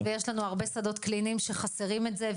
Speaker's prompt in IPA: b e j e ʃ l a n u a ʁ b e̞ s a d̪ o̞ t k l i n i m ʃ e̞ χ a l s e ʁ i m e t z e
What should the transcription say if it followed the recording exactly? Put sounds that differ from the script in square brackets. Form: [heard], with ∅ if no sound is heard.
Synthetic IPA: [v] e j e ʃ l a n u a ʁ b e̞ s a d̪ o̞ t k l i n i m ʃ e̞ χ a [∅] s e ʁ i m e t z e